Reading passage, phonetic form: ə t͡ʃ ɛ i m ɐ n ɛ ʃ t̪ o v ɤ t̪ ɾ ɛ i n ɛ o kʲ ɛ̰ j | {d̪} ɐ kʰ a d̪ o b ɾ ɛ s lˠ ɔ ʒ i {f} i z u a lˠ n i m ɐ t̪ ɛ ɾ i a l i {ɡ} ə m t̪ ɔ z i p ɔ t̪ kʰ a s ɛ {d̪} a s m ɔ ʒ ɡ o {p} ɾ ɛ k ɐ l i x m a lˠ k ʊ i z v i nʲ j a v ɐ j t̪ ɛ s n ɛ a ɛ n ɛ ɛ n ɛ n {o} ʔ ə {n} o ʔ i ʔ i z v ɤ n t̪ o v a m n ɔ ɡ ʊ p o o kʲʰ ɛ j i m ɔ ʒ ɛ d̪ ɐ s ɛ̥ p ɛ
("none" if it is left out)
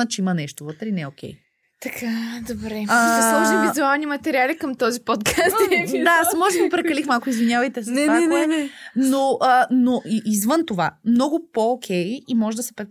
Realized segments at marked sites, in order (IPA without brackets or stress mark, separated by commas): t̪, v, k, d̪, p, o, n